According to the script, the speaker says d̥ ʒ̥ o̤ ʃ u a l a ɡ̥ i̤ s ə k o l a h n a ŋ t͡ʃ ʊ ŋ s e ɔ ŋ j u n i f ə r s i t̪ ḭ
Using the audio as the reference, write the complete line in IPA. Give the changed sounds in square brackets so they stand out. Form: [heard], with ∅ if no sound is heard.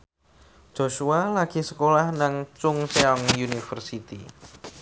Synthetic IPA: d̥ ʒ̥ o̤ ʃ u a l a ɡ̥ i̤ s ə k o l a h n a ŋ t͡ʃ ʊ ŋ s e ɔ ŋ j u n i f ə r s i t̪ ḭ